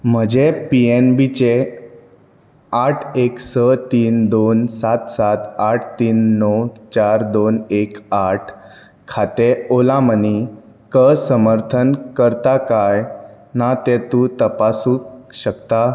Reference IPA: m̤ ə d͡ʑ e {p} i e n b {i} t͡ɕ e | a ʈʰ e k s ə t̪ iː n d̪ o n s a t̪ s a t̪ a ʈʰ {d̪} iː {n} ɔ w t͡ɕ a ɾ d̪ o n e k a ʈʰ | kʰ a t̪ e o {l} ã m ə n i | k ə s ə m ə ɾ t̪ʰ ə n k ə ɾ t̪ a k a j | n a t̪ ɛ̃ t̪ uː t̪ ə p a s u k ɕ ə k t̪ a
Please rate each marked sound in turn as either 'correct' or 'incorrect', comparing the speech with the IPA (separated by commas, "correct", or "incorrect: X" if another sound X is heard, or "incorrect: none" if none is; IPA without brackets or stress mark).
correct, correct, incorrect: t̪, incorrect: nː, correct